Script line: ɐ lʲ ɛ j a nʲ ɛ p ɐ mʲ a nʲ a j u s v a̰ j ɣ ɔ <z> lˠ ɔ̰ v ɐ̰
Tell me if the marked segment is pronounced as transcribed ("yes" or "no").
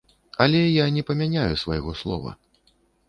no